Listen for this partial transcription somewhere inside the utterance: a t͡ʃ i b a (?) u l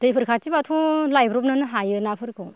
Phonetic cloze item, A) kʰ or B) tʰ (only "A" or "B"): B